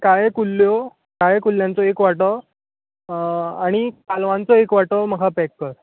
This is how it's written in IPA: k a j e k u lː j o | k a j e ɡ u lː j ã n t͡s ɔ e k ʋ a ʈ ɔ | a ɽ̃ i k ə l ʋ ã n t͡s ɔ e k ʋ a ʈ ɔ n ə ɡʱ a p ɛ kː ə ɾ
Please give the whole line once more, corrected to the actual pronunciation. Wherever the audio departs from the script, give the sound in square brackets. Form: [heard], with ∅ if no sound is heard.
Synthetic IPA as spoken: k a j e k u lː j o | k a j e [k] u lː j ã n t͡s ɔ e k ʋ a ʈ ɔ | a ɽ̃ i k [a] l ʋ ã n t͡s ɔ e k ʋ a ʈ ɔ [m] ə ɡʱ a p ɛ kː ə ɾ